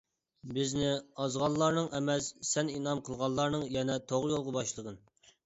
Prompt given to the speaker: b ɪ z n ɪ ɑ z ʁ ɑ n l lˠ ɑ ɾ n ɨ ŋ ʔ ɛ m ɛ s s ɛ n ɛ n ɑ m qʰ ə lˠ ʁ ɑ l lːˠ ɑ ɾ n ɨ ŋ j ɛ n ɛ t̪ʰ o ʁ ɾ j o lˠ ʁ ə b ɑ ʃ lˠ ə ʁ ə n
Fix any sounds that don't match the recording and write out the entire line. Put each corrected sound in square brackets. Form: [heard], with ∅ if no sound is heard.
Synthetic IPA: b ɪ z n ɪ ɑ z ʁ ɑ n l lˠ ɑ ɾ n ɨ ŋ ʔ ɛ m ɛ s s ɛ n [i] n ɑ m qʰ ə lˠ ʁ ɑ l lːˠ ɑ ɾ n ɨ ŋ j ɛ n ɛ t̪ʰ o ʁ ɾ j o lˠ ʁ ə b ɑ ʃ lˠ ə ʁ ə n